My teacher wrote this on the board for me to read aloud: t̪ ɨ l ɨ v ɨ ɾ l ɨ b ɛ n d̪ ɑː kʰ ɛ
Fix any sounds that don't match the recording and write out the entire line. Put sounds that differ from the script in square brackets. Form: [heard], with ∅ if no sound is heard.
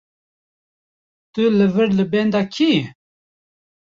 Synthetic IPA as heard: t̪ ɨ l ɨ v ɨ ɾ l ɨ b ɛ n d̪ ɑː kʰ [i]